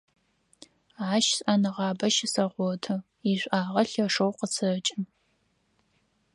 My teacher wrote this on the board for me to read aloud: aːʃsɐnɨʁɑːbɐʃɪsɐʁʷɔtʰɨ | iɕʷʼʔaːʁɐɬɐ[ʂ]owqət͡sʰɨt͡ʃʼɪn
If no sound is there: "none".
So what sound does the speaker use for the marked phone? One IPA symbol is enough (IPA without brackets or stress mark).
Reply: ʂ